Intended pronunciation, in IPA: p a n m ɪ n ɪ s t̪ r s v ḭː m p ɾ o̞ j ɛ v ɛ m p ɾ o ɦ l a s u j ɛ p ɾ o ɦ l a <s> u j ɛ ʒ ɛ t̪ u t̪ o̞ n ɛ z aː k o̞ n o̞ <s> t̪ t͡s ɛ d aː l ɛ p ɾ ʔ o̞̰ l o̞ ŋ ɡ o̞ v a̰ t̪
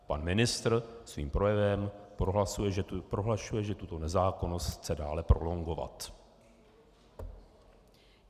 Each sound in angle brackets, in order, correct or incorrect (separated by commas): incorrect, correct